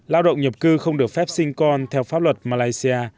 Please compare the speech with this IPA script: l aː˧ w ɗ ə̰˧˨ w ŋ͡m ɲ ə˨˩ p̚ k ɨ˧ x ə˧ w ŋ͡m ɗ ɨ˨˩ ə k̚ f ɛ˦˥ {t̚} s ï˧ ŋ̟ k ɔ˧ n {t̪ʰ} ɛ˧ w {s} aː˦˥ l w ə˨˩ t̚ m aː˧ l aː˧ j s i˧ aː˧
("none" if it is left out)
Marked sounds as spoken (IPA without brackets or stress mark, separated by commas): p̚, t̪ʰ, f